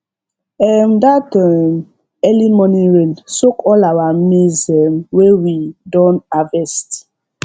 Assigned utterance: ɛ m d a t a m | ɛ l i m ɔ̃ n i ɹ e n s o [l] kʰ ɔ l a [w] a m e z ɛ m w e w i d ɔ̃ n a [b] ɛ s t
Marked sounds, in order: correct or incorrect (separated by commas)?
incorrect, correct, incorrect